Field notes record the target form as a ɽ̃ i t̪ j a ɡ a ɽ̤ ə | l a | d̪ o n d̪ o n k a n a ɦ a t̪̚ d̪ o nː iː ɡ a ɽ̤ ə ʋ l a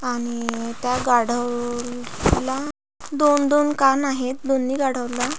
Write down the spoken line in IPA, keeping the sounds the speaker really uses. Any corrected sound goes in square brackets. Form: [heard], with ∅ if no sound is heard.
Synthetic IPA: a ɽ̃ i t̪ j a ɡ a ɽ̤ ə | l a | d̪ o n d̪ o n k a n a ɦ [e] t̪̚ d̪ o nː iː ɡ a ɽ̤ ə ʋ l a